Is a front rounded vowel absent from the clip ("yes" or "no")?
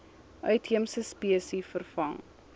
no